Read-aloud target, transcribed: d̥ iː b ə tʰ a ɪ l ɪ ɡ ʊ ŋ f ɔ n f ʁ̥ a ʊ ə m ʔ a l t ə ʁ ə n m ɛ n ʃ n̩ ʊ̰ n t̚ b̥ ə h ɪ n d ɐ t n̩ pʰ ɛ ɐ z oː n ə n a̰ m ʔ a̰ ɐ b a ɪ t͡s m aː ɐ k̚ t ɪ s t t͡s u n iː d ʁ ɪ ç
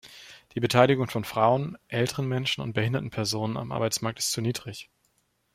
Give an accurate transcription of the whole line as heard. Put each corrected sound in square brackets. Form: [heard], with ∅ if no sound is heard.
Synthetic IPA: d̥ iː b ə tʰ a ɪ l ɪ ɡ ʊ ŋ f ɔ n f ʁ̥ a ʊ ə [n] ʔ [ɛ] l t ə ʁ ə n m ɛ n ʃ n̩ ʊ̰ n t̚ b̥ ə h ɪ n d ɐ t n̩ pʰ ɛ ɐ z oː n ə n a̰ m ʔ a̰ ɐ b a ɪ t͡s m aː ɐ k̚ t ɪ s t t͡s u n iː d ʁ ɪ ç